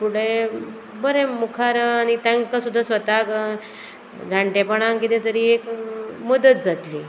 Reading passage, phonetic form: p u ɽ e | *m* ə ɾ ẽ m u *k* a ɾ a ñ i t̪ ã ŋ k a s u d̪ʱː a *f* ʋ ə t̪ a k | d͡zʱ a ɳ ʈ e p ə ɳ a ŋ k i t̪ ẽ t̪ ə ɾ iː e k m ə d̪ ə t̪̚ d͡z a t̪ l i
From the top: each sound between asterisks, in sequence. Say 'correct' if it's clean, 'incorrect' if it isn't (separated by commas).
incorrect, incorrect, incorrect